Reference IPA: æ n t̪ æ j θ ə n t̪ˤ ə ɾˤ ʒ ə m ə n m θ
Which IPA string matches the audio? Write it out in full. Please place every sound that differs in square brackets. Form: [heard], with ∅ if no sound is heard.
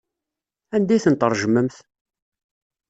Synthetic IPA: æ n [d̪] æ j θ ə n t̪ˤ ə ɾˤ ʒ ə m ə [∅] m θ